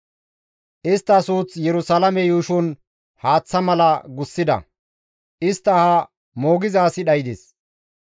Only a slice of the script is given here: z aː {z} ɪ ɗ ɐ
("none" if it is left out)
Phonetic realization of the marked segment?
s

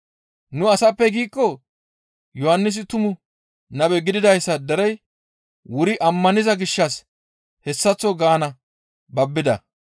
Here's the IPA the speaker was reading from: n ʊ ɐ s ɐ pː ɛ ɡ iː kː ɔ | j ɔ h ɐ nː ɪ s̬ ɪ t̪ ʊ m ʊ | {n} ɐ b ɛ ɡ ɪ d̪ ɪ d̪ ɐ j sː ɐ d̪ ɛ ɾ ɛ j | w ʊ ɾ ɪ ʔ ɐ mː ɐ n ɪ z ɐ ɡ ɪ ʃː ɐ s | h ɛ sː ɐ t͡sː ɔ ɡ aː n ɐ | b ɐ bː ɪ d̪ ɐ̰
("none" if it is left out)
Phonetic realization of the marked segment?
n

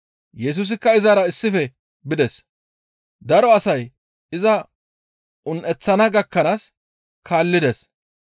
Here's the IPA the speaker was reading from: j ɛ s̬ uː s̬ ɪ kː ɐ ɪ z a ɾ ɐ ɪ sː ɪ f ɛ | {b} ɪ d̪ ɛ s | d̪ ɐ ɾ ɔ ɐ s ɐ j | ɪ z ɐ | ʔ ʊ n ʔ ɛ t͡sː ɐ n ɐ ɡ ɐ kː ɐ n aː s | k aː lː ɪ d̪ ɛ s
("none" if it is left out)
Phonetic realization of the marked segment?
b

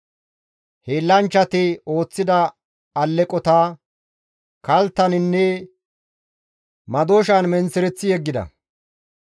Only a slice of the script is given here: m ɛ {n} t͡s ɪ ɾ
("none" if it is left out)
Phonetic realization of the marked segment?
n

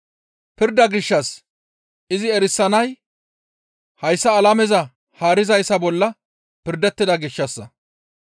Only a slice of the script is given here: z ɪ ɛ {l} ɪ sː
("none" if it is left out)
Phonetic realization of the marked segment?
ɾ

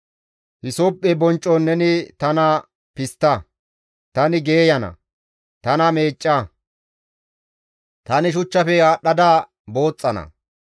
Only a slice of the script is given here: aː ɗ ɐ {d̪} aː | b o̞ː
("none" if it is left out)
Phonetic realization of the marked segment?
d̪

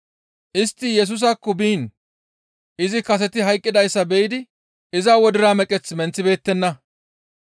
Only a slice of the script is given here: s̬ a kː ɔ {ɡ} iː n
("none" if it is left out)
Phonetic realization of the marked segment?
b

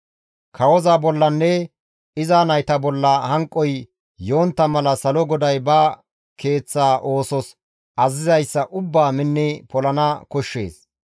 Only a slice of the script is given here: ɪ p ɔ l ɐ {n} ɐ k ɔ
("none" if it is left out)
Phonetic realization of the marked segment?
n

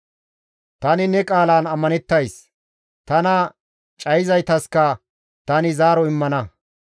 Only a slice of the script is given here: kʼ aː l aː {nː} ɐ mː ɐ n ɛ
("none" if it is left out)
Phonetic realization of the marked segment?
n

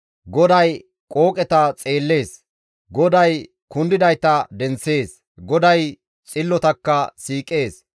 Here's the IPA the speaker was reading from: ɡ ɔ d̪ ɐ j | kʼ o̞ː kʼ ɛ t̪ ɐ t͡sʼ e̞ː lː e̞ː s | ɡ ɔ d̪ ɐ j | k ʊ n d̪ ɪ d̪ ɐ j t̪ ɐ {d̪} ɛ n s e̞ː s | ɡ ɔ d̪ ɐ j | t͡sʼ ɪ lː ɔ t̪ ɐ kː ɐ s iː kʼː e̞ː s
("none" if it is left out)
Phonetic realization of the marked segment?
d̪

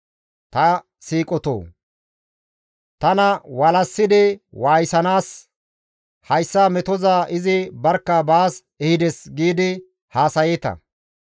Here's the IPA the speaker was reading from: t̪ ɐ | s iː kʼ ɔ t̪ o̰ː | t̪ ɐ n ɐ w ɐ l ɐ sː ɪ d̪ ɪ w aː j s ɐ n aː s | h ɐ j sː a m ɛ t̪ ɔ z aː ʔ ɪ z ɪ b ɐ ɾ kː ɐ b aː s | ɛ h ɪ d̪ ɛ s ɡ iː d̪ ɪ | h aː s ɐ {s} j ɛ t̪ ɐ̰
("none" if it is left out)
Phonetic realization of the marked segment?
none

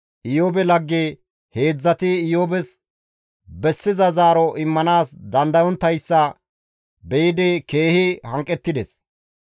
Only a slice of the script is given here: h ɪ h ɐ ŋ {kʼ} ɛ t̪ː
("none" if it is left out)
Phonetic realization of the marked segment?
kʼ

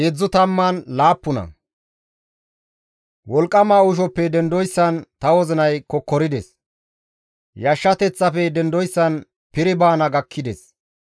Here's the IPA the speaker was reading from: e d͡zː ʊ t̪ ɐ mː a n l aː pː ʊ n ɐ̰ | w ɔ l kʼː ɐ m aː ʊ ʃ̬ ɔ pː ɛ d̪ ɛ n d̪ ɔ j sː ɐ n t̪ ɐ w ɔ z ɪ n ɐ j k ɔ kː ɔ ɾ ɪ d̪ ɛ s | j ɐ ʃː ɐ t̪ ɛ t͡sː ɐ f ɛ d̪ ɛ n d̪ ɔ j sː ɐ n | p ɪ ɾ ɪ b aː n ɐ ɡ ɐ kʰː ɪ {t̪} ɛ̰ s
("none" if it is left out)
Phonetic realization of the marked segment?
d̪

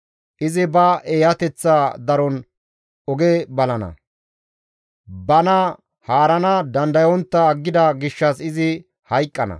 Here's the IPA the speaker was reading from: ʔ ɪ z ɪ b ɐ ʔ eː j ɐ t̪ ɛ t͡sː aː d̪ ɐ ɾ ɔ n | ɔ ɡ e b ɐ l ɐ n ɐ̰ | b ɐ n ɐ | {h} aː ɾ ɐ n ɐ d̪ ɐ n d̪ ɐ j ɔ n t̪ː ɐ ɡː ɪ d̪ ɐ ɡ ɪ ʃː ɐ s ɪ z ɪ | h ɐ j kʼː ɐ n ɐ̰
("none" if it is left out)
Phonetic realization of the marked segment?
h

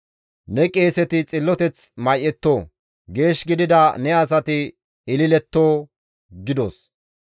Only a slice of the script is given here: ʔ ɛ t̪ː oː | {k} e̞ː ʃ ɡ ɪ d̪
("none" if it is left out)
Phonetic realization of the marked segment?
ɡ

